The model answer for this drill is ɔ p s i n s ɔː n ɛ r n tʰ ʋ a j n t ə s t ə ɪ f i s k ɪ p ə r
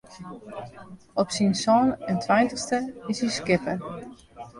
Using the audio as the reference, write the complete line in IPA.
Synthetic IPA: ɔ p s i n s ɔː n ɛ n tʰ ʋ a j n t ə s t ə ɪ s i s k ɪ p ə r